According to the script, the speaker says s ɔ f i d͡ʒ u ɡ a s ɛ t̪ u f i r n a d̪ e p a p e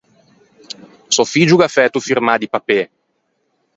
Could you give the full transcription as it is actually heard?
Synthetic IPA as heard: s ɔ f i d͡ʒ u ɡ a f ɛ t̪ u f i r m a d̪ i p a p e